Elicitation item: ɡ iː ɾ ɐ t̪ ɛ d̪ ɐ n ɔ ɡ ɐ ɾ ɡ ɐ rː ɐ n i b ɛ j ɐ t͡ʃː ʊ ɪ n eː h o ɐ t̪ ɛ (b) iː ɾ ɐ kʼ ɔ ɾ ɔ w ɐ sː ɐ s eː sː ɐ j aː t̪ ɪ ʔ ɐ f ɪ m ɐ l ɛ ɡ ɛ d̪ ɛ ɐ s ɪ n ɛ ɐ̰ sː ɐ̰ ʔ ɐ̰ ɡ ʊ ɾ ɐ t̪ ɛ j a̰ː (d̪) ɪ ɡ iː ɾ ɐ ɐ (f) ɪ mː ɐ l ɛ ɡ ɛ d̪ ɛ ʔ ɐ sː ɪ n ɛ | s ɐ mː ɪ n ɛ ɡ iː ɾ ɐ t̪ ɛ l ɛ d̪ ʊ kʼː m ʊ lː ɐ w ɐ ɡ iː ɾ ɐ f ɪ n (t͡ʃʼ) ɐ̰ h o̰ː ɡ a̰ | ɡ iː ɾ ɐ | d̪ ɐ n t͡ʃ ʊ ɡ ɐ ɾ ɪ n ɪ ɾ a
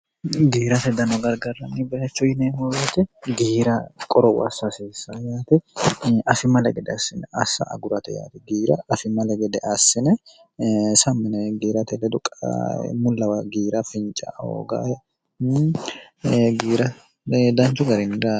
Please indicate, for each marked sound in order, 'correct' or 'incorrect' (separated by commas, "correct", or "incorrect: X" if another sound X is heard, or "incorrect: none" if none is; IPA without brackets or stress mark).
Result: incorrect: ɡ, incorrect: t̪, correct, correct